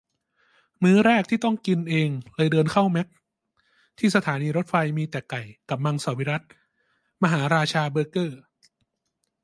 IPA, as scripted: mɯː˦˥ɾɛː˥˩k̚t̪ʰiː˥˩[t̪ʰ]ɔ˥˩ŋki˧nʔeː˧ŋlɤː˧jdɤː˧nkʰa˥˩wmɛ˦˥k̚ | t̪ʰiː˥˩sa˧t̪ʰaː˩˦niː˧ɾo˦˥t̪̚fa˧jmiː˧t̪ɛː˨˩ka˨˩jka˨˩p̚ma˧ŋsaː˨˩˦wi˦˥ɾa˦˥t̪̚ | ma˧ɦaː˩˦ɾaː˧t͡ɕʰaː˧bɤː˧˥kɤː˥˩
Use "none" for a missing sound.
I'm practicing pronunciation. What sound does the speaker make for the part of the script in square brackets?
t̪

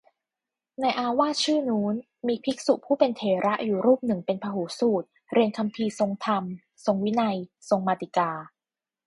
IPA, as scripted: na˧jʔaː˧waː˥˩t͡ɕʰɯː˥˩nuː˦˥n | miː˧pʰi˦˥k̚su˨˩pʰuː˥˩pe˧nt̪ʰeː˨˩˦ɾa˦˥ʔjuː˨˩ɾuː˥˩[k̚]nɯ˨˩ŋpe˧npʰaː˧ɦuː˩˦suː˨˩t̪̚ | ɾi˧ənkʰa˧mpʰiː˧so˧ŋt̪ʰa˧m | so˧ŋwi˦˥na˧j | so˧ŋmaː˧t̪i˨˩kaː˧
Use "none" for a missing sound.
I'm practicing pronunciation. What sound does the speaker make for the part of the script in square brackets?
p̚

